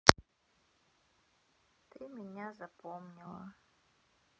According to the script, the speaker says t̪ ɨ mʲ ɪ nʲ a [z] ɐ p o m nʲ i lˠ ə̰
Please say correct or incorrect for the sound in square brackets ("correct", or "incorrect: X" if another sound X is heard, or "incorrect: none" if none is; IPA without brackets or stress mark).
correct